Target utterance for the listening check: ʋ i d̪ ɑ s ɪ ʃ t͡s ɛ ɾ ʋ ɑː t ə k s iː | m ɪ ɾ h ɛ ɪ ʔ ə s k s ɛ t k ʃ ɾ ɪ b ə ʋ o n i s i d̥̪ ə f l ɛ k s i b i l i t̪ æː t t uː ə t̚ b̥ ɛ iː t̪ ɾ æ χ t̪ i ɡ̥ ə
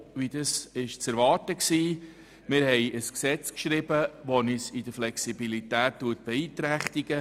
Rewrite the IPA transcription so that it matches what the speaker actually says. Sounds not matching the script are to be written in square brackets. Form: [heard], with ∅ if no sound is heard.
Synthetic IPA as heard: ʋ i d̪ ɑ s ɪ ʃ t͡s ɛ ɾ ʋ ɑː t ə k s iː | m ɪ ɾ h ɛ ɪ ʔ ə s k s ɛ [t͡s] k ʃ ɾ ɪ b ə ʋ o n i s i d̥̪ ə f l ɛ k s i b i l i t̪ æː t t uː ə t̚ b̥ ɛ iː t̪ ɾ æ χ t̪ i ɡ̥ ə

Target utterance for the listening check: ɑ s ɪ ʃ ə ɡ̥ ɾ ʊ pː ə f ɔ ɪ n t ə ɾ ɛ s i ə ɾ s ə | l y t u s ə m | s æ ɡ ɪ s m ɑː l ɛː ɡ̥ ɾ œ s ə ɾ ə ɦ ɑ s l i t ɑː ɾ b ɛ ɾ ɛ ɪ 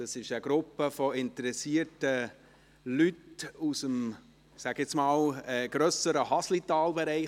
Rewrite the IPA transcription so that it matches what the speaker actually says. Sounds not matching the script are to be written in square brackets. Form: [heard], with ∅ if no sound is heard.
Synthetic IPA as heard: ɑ s ɪ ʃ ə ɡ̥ ɾ ʊ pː ə f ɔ ɪ n t ə ɾ ɛ s i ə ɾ [t] ə | l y t u s ə m | s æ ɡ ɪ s m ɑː l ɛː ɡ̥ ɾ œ s ə ɾ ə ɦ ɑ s l i t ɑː [l] b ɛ ɾ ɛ ɪ

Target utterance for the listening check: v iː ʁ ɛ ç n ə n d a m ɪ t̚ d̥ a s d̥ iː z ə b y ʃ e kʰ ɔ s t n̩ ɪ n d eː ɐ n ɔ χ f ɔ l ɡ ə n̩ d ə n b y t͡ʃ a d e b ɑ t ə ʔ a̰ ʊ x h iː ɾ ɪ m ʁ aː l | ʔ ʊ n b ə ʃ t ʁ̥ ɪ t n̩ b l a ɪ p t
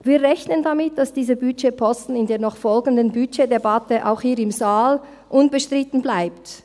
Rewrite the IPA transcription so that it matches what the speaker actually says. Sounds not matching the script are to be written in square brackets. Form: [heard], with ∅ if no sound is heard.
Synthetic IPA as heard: v iː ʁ ɛ ç n ə n d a m ɪ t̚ d̥ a s d̥ iː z ə b y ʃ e [pʰ] ɔ s t n̩ ɪ n d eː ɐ n ɔ χ f ɔ l ɡ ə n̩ d ə n b y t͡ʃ [e] d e b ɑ t ə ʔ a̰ ʊ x h iː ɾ ɪ m [z] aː l | ʔ ʊ n b ə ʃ t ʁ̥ ɪ t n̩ b l a ɪ p t

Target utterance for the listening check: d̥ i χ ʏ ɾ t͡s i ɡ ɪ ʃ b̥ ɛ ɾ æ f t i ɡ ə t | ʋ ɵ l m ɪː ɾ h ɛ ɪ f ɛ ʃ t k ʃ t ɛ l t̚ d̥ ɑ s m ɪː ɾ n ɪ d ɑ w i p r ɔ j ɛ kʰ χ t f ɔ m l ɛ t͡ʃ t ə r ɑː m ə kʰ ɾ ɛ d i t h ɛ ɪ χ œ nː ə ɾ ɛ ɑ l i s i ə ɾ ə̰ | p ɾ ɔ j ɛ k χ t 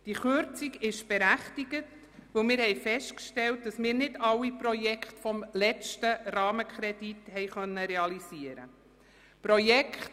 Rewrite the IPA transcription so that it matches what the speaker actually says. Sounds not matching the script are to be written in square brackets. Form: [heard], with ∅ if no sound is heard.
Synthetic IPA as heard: d̥ i χ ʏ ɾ t͡s i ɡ ɪ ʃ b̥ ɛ ɾ æ [χ] t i ɡ ə t | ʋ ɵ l m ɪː ɾ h ɛ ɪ f ɛ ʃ t k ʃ t ɛ l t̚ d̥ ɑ s m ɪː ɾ n ɪ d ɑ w i p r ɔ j ɛ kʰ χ t f ɔ m l ɛ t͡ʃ t ə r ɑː m ə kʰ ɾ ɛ d i t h ɛ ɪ χ œ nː ə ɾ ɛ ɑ l i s i ə ɾ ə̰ | p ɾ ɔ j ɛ k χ t

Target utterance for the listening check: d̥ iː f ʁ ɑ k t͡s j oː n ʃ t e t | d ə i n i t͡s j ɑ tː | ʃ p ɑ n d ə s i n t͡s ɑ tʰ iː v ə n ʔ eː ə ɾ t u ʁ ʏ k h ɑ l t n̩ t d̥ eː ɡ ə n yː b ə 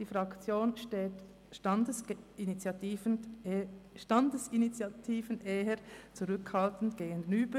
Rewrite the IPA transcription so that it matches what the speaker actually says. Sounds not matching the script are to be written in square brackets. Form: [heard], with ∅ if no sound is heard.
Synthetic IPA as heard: d̥ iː f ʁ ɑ k t͡s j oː n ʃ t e t | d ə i n i t͡s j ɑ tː | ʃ [t] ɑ n d ə s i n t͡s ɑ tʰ iː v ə n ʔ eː ə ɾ [t͡s] u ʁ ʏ k h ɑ l t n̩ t [ɡ̥] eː ɡ ə n yː b ə

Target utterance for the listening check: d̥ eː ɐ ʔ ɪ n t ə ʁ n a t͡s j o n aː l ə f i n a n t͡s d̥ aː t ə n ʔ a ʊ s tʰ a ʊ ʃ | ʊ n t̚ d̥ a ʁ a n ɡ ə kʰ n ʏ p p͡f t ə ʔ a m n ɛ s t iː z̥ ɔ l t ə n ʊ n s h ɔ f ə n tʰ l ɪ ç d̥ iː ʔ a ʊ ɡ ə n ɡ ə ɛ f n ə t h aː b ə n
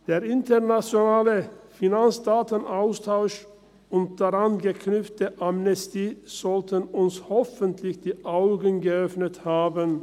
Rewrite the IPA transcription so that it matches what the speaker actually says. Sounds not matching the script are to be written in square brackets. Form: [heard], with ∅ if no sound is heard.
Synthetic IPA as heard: d̥ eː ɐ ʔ ɪ n t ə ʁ n a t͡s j o n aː l ə f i n a n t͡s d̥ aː t ə n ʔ a ʊ s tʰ a ʊ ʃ | ʊ n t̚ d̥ a ʁ a n ɡ ə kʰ n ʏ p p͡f t ə ʔ a m n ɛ s t iː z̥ ɔ l t ə n ʊ n s h ɔ f ə n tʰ l ɪ ç d̥ iː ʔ a ʊ ɡ ə n ɡ ə [œ] f n ə t h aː b ə n

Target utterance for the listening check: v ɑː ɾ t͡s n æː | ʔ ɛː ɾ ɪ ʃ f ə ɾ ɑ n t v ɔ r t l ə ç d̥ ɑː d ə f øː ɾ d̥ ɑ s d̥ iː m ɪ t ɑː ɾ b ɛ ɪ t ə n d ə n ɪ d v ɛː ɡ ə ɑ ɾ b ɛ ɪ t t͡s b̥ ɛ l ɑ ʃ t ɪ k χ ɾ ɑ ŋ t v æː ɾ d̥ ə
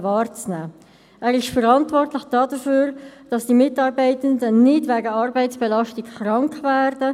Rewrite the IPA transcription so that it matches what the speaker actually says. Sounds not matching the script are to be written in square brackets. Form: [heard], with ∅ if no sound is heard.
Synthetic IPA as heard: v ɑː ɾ t͡s n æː | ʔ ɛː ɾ ɪ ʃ f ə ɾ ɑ n t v ɔ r t l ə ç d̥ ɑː d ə f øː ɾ d̥ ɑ s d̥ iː m ɪ t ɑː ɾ b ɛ ɪ t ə n d ə n ɪ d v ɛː ɡ ə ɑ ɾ b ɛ ɪ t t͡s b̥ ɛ l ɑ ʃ t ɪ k χ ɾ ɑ ŋ [k] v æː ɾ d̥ ə

